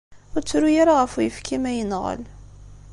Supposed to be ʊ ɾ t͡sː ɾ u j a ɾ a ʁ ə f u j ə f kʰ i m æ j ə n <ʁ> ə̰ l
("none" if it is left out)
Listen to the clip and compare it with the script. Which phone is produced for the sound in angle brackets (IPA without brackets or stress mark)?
ʁ